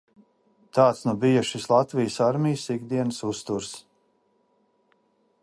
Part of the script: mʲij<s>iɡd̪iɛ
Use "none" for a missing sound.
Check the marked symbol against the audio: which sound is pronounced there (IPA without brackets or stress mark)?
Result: s